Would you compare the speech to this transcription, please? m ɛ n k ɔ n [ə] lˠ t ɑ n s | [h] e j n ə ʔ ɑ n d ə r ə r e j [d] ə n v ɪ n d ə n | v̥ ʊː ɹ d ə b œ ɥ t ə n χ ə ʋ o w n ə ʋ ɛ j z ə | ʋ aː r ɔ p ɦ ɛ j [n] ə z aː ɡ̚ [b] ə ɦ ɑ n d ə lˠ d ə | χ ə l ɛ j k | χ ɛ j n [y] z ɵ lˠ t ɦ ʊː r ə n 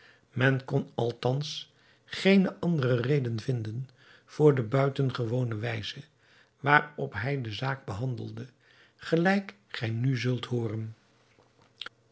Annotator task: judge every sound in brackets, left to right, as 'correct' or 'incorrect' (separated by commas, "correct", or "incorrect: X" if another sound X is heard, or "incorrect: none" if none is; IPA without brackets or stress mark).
incorrect: ɑ, incorrect: χ, correct, incorrect: d, correct, correct